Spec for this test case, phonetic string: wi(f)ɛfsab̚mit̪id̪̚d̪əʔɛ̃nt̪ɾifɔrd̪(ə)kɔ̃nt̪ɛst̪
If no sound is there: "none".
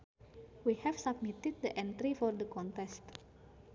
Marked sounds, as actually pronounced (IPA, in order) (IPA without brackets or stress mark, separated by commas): h, ə